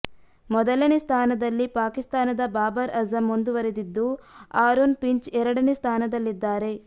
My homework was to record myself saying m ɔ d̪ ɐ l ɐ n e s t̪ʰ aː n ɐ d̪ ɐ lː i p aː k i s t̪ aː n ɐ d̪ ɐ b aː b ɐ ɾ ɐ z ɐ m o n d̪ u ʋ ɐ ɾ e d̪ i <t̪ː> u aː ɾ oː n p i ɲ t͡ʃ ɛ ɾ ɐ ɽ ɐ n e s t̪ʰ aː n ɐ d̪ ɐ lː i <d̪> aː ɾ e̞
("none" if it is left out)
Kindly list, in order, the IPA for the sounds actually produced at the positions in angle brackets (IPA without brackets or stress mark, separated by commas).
d̪ː, d̪ː